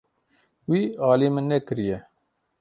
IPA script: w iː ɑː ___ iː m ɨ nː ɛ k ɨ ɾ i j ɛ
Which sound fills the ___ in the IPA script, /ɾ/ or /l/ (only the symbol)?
l